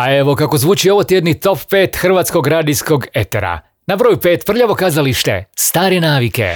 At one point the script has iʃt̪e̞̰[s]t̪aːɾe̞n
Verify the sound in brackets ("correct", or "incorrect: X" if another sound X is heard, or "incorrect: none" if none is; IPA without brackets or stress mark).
correct